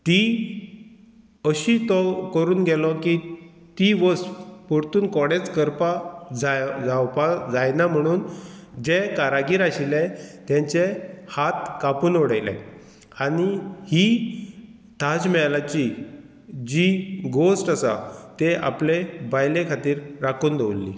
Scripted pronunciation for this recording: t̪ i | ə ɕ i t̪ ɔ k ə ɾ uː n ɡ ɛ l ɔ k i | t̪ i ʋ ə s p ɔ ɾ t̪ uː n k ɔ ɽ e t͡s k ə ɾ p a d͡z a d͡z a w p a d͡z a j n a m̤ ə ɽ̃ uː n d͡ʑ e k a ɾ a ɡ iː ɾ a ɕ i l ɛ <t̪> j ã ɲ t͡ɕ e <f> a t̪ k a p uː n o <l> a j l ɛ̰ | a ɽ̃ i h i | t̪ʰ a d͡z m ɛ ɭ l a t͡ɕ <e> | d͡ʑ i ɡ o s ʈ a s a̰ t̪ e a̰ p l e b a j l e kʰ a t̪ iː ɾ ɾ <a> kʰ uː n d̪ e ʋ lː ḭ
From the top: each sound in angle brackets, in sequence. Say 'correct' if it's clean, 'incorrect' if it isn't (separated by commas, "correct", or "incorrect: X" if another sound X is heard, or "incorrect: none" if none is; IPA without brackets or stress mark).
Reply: correct, incorrect: h, incorrect: ɽ, incorrect: i, correct